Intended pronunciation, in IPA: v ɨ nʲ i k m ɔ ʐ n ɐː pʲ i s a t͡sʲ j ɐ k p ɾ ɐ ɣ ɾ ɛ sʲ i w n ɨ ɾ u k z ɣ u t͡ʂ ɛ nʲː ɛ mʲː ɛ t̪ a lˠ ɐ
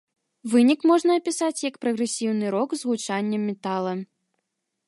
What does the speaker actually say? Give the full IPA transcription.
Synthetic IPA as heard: v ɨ nʲ i k m ɔ ʐ n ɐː pʲ i s a t͡sʲ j ɐ k p ɾ ɐ ɣ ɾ ɛ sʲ i w n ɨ ɾ ɔ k z ɣ u t͡ʂ a nʲː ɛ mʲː ɛ t̪ a lˠ ɐ